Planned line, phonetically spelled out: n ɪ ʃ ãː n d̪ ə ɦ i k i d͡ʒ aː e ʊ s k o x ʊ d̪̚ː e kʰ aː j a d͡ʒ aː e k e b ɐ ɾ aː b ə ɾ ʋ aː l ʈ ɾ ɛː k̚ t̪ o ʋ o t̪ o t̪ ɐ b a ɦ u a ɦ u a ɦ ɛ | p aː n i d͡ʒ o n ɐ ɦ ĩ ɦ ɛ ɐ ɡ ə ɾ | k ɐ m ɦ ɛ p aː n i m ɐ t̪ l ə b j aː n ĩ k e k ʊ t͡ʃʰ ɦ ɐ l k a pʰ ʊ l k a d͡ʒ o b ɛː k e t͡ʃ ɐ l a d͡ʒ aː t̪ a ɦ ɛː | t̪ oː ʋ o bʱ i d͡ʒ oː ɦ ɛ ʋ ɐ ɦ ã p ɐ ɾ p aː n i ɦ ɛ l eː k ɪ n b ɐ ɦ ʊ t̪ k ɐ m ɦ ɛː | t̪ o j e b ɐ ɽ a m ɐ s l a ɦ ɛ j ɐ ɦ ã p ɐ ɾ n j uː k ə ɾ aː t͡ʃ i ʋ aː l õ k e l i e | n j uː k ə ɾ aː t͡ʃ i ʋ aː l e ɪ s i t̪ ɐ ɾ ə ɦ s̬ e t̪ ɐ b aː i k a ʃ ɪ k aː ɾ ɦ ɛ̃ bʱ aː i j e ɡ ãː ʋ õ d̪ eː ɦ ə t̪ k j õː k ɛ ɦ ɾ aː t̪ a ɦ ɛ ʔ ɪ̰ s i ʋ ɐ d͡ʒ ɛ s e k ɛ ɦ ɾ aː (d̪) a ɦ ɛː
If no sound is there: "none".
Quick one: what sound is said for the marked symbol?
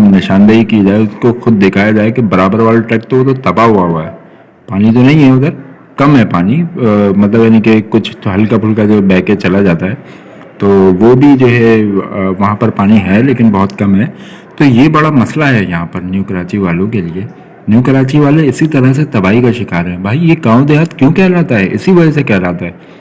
t̪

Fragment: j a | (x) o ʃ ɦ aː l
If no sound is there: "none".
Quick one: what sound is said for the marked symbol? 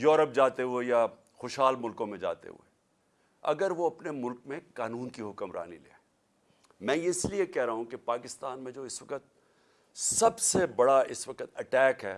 x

